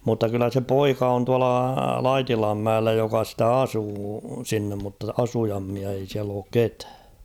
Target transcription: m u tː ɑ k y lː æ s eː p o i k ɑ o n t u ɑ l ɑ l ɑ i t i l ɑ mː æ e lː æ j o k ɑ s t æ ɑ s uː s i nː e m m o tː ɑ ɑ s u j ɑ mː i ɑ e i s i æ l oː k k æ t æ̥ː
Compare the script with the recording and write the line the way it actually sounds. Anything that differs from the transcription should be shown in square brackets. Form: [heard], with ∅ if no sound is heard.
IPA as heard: m u tː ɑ k y lː æ s [e] p o i k ɑ o n t u ɑ l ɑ l ɑ i t i l ɑ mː æ e lː æ j o k ɑ s t æ ɑ s uː s i nː e m m [u] tː ɑ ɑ s u j ɑ mː i ɑ e i s i æ l oː k k [e] t æ̥ː